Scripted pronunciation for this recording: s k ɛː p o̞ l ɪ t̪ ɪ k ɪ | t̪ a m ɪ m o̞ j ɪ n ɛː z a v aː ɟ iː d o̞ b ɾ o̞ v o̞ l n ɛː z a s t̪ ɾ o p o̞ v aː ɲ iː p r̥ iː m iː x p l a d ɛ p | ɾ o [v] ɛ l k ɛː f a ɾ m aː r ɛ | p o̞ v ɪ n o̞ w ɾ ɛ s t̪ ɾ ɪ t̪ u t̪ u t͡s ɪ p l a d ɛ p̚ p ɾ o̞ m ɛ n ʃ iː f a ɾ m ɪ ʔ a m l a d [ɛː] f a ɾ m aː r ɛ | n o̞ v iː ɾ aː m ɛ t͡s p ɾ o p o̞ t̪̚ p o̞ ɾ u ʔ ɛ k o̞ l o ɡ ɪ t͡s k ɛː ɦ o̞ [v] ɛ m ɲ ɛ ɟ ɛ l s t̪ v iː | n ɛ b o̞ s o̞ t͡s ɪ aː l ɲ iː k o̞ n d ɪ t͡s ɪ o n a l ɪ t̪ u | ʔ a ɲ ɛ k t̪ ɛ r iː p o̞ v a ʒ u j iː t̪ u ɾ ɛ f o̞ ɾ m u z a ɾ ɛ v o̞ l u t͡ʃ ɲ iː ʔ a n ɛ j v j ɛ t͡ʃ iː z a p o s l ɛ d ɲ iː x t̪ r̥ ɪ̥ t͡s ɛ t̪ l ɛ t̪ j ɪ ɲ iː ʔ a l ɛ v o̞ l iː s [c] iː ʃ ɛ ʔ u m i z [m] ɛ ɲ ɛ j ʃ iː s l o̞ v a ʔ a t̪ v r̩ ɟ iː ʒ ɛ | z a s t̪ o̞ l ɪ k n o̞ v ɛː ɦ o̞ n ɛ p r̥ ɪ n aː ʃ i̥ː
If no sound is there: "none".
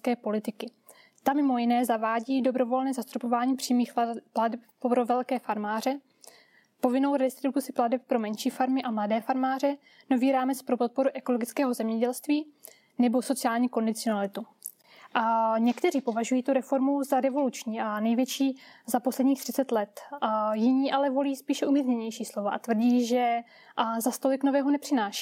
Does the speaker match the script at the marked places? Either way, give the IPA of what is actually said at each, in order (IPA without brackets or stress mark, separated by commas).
v, ɛː, z, p, ɲ